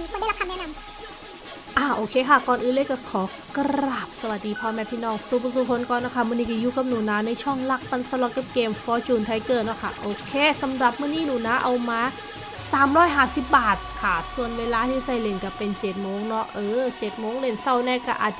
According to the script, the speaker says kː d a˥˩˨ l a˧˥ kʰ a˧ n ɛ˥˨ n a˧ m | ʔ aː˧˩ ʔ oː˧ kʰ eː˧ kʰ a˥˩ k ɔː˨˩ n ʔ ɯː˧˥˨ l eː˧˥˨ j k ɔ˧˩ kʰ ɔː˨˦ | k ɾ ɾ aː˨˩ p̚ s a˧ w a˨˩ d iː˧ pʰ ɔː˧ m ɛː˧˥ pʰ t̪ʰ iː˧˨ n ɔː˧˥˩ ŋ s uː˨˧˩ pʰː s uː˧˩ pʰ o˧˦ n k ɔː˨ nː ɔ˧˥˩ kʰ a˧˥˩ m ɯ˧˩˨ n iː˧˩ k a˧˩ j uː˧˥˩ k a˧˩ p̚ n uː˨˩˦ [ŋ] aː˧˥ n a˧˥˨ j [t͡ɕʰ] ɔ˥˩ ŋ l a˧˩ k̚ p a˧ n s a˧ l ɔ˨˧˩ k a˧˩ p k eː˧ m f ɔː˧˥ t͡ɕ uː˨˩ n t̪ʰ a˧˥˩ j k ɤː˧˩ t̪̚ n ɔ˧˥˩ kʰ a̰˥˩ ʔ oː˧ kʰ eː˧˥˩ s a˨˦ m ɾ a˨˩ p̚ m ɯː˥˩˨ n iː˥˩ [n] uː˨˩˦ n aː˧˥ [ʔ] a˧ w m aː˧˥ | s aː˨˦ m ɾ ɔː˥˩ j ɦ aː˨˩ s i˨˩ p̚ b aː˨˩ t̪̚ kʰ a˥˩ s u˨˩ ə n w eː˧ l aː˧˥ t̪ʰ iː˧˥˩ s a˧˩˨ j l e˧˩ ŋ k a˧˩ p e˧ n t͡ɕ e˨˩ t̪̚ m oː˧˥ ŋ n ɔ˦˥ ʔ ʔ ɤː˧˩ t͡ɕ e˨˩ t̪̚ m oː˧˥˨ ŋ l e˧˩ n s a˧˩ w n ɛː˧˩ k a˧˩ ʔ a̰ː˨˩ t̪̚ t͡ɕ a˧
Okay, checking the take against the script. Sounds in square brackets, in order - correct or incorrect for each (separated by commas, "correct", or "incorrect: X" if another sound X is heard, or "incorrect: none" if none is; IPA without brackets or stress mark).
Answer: incorrect: n, correct, correct, correct